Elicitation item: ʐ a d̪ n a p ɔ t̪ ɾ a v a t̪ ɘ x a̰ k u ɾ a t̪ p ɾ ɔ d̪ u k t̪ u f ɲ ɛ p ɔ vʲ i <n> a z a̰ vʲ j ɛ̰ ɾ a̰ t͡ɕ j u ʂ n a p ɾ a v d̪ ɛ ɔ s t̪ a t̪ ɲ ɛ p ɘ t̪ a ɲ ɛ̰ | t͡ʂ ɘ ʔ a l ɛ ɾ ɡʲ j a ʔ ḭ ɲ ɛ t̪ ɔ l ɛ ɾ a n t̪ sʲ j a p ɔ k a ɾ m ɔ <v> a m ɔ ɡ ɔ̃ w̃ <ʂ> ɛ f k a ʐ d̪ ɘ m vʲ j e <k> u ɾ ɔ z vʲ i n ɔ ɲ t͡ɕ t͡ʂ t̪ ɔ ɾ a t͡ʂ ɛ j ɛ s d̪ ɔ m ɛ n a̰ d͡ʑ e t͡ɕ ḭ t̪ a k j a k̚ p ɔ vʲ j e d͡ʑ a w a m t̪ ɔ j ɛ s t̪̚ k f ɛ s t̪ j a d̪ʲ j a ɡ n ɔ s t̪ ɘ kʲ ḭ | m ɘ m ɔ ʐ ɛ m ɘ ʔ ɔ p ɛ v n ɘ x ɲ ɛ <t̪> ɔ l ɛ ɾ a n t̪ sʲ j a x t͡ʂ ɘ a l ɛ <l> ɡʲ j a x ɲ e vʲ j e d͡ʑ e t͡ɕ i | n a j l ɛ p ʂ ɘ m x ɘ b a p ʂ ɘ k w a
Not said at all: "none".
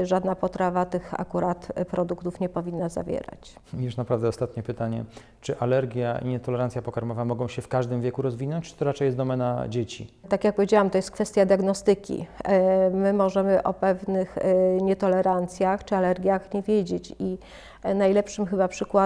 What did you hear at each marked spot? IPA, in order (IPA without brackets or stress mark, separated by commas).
nː, v, ɕ, k, t̪, ɾ